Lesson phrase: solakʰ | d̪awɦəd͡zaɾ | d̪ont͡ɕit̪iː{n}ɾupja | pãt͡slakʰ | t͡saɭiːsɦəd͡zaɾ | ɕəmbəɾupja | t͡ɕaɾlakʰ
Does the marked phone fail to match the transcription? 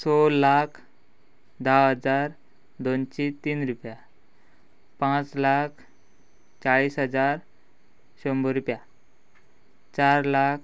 no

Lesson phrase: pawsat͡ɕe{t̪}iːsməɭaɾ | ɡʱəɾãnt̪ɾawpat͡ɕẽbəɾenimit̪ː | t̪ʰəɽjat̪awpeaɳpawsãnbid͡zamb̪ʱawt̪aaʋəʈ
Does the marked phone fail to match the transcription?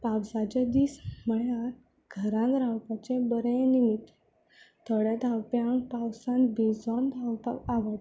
yes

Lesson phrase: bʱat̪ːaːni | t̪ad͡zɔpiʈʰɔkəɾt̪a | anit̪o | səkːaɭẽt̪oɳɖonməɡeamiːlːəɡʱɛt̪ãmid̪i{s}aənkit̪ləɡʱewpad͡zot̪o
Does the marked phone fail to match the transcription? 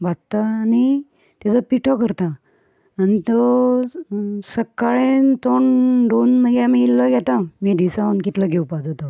no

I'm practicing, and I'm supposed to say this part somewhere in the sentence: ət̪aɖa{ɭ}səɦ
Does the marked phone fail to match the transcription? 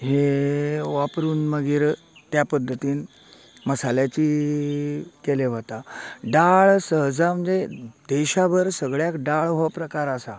no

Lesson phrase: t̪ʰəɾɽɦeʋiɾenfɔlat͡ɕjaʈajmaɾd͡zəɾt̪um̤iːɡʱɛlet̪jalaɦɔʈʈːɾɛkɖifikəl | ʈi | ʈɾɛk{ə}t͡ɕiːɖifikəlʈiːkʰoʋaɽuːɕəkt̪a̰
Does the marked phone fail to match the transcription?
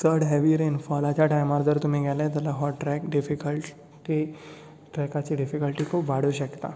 yes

